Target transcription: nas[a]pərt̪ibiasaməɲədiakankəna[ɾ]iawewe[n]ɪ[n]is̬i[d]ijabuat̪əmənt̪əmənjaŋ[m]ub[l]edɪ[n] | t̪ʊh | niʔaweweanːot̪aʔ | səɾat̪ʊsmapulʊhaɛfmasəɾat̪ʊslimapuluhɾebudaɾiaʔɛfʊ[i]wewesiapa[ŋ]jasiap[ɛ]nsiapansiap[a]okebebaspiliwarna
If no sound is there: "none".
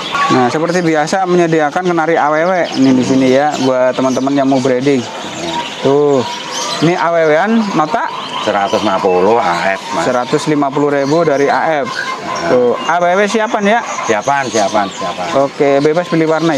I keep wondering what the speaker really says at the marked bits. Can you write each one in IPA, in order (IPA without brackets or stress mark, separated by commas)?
ə, ɾ, n, d, n, m, ɾ, ŋ, a, n, a, a